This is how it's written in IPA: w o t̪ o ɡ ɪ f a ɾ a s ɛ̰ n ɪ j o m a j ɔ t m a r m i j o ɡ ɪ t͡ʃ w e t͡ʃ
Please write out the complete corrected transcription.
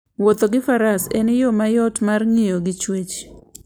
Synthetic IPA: w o t̪ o ɡ ɪ f a ɾ a s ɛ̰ n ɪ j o m a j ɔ t m a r ŋ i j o ɡ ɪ t͡ʃ w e t͡ʃ